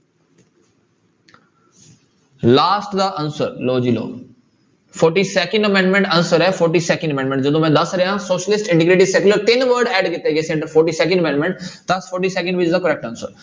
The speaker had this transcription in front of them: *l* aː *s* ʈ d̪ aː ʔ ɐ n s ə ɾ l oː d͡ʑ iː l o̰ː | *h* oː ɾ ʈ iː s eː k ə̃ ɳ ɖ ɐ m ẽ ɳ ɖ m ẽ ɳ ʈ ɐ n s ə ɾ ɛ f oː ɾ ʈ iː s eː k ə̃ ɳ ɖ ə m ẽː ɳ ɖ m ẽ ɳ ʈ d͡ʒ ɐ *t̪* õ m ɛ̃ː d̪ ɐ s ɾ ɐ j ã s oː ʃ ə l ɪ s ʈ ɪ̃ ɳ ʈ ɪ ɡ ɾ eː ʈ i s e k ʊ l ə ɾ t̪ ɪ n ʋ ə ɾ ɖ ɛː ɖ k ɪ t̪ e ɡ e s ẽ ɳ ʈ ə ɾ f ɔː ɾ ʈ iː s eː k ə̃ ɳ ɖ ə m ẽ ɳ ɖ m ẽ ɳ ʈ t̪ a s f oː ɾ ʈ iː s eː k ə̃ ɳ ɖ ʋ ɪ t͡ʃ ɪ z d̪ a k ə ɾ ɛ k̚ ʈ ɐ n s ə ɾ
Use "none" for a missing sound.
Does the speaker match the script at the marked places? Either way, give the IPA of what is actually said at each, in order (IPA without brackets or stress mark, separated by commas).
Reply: l, s, f, d̪